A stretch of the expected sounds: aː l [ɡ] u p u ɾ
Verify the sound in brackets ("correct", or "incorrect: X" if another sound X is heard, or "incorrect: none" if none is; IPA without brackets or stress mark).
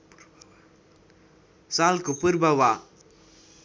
incorrect: k